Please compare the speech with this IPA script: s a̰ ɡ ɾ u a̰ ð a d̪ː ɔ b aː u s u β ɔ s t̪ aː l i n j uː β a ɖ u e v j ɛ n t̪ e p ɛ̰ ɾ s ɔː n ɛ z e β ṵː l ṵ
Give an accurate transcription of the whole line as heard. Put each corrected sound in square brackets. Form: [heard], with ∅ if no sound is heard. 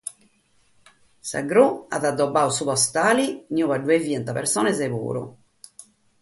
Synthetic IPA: s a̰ ɡ ɾ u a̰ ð a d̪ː ɔ b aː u s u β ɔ s t̪ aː l i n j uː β a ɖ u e v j ɛ n t̪ [a] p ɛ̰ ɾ s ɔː n ɛ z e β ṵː [ɾ] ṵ

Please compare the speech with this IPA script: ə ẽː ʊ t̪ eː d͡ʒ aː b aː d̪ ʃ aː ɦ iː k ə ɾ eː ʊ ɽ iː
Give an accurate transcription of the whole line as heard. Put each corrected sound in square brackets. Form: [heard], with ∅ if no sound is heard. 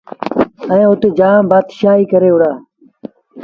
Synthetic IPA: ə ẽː ʊ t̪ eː d͡ʒ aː b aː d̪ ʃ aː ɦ iː k ə ɾ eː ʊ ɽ [aː]

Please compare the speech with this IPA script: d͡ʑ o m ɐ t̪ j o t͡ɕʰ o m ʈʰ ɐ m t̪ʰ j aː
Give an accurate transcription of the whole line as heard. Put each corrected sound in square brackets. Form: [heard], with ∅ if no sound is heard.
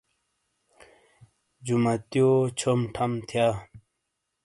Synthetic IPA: d͡ʑ [u] m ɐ t̪ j o t͡ɕʰ o m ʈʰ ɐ m t̪ʰ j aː

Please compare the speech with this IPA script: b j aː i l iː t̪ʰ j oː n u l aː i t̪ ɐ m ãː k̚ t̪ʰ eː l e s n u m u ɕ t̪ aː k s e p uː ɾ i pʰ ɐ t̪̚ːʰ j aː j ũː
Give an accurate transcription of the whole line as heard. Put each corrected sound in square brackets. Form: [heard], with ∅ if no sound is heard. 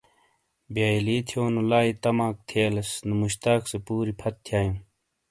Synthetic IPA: b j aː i l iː t̪ʰ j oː n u l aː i t̪ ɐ m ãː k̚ t̪ʰ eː l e s n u m u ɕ t̪ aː k s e p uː ɾ i pʰ ɐ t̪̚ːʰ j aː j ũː

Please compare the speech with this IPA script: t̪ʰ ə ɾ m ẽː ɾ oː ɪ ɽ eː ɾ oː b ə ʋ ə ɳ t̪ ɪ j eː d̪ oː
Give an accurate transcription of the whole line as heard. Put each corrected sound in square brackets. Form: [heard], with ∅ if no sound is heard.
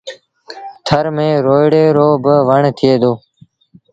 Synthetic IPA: t̪ʰ ə ɾ m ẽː ɾ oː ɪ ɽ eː ɾ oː b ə ʋ ə ɳ [t̪ʰ] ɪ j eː d̪ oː

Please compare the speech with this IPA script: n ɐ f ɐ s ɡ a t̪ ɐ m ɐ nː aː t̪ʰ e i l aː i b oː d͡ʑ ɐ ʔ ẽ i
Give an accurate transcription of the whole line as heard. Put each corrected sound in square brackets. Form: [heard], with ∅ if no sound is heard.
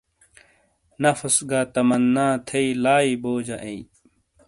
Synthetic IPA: n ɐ f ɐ s ɡ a t̪ ɐ m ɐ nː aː t̪ʰ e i l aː i b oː d͡ʑ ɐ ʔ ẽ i

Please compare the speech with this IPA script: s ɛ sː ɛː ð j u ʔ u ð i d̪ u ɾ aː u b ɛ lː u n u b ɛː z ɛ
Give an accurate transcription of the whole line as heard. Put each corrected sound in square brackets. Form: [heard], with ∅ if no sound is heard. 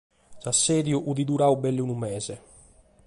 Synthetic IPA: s [a] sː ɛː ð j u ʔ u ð i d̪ u ɾ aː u b ɛ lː u n u [m] ɛː z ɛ

